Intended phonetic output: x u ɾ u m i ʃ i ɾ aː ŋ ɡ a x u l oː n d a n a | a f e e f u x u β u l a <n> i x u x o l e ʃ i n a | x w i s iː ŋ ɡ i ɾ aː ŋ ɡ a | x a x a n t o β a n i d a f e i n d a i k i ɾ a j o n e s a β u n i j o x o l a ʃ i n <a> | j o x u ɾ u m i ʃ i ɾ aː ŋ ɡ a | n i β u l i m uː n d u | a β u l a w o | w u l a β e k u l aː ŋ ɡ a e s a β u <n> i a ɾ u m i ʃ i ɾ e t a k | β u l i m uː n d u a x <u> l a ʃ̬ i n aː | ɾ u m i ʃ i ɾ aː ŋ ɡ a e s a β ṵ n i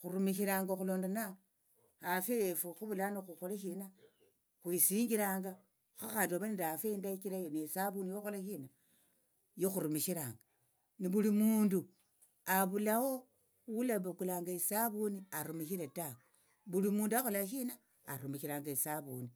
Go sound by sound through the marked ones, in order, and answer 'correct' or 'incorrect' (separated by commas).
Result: correct, correct, correct, incorrect